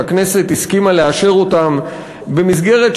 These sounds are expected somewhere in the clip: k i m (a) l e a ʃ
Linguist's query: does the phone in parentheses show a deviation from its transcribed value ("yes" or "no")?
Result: no